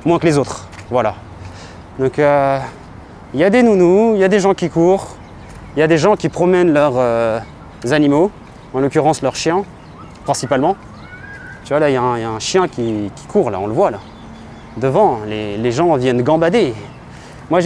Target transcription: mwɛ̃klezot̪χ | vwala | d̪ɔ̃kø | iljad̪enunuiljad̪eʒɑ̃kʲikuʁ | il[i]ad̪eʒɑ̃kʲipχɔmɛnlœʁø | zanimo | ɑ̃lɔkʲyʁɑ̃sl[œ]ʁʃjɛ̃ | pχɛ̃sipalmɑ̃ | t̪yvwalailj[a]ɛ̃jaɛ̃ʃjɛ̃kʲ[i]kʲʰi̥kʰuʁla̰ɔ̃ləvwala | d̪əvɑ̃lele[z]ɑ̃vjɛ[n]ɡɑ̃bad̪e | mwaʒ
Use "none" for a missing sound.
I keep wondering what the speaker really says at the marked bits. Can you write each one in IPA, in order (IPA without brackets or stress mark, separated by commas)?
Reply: j, œ, a, i, ʒ, n